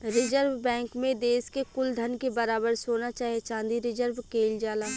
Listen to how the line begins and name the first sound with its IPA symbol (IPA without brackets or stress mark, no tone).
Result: ɾ